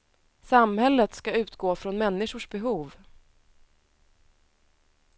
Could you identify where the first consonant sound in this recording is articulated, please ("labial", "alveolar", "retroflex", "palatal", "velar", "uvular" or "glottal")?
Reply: alveolar